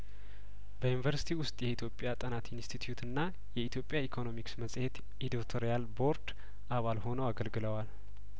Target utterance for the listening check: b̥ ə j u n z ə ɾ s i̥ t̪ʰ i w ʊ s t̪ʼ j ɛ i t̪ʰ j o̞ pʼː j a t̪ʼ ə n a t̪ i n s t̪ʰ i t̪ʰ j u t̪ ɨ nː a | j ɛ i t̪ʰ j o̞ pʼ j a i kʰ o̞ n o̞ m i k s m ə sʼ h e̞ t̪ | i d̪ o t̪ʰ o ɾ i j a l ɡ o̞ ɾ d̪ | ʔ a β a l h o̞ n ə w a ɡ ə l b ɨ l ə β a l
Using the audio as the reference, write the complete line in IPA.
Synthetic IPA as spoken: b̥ ə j u n v ə ɾ s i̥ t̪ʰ i w ʊ s t̪ʼ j ɛ i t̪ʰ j o̞ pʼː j a t̪ʼ ə n a t̪ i n s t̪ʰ i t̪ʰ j u t̪ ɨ nː a | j ɛ i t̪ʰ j o̞ pʼ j a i kʰ o̞ n o̞ m i k s m ə sʼ h e̞ t̪ | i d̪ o t̪ʰ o ɾ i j a l b o̞ ɾ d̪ | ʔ a β a l h o̞ n ə w a ɡ ə l ɡ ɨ l ə w a l

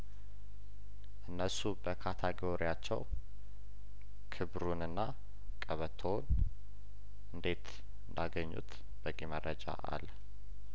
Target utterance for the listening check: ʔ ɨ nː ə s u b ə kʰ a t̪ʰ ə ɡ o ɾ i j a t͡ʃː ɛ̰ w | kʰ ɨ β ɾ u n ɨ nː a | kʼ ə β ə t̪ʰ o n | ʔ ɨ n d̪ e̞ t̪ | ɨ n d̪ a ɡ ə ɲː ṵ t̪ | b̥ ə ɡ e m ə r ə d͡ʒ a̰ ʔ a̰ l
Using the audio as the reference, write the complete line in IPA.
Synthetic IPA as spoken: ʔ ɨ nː ə s u b ə kʰ a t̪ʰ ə ɡ o ɾ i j a t͡ʃː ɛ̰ w | kʰ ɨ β ɾ u n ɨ nː a | kʼ ə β ə t̪ʰ o n | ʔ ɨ n d̪ e̞ t̪ | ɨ n d̪ a ɡ ə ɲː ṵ t̪ | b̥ ə ɡ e m ə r ə d͡ʒ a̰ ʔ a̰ l

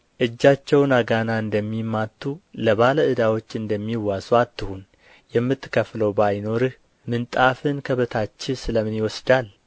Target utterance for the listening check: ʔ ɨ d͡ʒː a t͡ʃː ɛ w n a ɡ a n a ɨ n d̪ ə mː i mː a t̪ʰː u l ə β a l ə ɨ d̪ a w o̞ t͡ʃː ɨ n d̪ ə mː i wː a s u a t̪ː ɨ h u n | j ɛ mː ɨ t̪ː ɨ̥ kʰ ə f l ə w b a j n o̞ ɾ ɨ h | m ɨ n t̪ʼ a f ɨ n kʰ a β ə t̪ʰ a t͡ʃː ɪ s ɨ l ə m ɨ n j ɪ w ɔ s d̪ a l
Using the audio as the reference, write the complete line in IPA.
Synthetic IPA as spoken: ʔ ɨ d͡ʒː a t͡ʃː ɛ w n a ɡ a n a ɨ n d̪ ə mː i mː a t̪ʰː u l ə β a l ə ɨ d̪ a w o̞ t͡ʃː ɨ n d̪ ə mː i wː a s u a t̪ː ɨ h u n | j ɛ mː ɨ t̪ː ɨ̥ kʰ ə f l ə w b a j n o̞ ɾ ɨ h | m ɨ n t̪ʼ a f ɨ n kʰ ə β ə t̪ʰ a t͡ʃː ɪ s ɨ l ə m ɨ n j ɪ w ɔ s d̪ a l

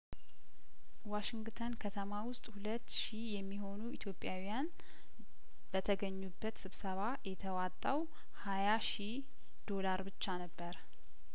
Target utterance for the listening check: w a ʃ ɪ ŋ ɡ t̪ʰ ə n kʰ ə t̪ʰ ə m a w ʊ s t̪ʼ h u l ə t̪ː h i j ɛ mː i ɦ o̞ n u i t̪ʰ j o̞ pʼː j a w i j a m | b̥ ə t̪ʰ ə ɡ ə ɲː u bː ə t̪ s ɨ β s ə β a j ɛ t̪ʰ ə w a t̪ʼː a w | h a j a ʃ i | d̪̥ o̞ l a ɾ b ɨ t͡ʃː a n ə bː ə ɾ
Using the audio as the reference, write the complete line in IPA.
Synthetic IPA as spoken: w a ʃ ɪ ŋ ɡ t̪ʰ ə n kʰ ə t̪ʰ ə m a w ʊ s t̪ʼ h u l ə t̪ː ʃ i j ɛ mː i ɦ o̞ n u i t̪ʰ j o̞ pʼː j a w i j a n | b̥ ə t̪ʰ ə ɡ ə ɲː u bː ə t̪ s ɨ β s ə β a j ɛ t̪ʰ ə w a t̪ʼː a w | h a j a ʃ i | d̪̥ o̞ l a ɾ b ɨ t͡ʃː a n ə bː ə ɾ

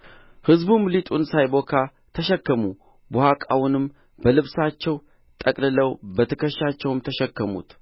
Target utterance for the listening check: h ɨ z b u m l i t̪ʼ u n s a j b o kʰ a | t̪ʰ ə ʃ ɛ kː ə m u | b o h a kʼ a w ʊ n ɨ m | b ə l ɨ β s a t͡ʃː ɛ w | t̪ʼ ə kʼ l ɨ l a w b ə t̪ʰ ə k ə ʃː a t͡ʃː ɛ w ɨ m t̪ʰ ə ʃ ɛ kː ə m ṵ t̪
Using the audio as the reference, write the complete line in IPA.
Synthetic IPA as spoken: h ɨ z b u m l i t̪ʼ u n s a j b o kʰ a | t̪ʰ ə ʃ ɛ kː ə m u | b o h a kʼ a w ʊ n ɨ m | b ə l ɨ β s a t͡ʃː ɛ w | t̪ʼ ə kʼ l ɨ l ə w b ə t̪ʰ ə k ə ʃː a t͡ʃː ɛ w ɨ m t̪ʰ ə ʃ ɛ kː ə m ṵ t̪

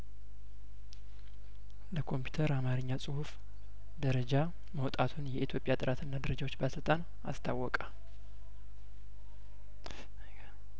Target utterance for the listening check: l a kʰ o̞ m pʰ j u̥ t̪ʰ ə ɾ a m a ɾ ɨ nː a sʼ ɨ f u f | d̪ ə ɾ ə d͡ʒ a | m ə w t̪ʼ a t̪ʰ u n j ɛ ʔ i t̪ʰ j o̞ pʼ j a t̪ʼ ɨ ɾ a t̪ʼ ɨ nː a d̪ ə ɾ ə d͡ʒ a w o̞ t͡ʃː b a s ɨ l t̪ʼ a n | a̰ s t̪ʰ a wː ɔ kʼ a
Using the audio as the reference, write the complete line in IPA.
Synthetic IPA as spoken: l ə kʰ o̞ m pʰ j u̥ t̪ʰ ə ɾ a m a ɾ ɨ ɲː a sʼ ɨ h u f | d̪ ə ɾ ə d͡ʒ a | m ə w t̪ʼ a t̪ʰ u n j ɛ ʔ i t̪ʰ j o̞ pʼ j a t̪ʼ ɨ ɾ a t̪ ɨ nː a d̪ ə ɾ ə d͡ʒ a w o̞ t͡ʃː b a s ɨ l t̪ʼ a n | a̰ s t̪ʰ a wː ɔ kʼ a

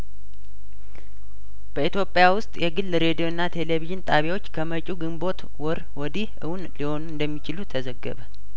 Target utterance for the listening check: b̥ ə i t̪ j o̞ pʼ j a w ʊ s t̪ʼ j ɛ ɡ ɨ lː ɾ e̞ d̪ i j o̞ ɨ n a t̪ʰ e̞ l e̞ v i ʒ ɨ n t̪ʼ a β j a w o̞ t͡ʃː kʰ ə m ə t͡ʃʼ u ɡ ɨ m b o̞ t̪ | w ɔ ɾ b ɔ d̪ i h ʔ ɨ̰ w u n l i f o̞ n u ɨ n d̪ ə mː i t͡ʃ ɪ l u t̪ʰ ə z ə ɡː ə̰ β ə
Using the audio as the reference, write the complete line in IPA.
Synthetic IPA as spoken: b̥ ə i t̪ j o̞ pʼ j a w ʊ s t̪ʼ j ɛ ɡ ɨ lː ɾ e̞ d̪ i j o̞ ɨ nː a t̪ʰ e̞ l e̞ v i ʒ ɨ n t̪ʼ a β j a w o̞ t͡ʃː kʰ ə m ə t͡ʃʼ u ɡ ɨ m b o̞ t̪ | w ɔ ɾ w ɔ d̪ i h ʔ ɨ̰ w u n l i h o̞ n u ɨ n d̪ ə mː i t͡ʃ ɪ l u t̪ʰ ə z ə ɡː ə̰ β ə

